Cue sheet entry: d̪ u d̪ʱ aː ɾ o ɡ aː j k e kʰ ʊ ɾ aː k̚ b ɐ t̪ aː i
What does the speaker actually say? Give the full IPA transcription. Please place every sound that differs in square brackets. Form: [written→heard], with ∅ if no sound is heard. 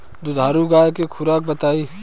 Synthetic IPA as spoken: d̪ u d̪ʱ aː ɾ [o→u] ɡ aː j k e kʰ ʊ ɾ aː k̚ b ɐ t̪ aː i